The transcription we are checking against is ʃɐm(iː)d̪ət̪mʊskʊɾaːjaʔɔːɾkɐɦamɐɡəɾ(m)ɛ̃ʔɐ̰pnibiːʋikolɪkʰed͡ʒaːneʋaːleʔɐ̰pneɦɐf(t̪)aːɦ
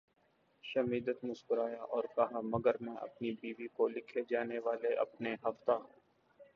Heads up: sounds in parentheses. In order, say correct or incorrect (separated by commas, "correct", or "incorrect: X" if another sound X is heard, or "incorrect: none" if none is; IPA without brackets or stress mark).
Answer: correct, correct, correct